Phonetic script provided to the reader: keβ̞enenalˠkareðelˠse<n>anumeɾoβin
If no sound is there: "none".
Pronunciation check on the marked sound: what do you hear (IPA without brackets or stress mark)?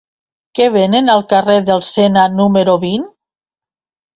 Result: n